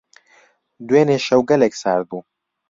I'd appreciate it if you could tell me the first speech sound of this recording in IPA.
d̪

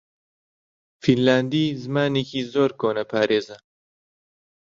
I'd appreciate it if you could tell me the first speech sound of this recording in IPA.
f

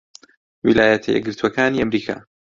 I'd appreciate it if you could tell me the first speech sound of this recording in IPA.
w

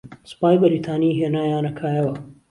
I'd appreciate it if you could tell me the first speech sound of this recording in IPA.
s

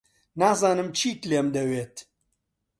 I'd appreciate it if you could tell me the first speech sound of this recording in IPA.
n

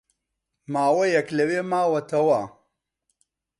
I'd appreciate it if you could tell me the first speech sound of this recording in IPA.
m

